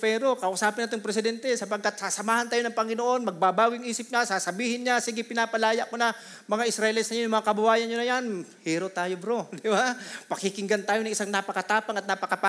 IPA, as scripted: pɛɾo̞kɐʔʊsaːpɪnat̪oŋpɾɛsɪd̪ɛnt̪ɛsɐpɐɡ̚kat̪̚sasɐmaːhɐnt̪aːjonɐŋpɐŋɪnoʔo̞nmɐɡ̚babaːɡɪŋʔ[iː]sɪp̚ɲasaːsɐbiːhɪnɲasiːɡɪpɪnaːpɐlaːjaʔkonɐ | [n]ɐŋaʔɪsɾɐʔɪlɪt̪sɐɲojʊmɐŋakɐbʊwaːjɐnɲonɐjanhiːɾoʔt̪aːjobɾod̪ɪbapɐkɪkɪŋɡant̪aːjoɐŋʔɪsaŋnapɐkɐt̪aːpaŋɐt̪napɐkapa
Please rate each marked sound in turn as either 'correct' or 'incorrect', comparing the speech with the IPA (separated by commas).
correct, incorrect